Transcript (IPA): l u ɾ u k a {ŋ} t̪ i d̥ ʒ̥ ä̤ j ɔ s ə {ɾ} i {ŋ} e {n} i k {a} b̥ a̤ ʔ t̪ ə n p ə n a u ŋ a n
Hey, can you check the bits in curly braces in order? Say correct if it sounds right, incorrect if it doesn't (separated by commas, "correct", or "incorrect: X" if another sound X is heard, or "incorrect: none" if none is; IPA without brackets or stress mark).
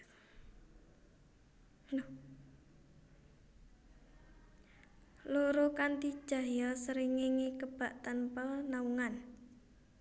incorrect: n, correct, correct, incorrect: ŋ, incorrect: ə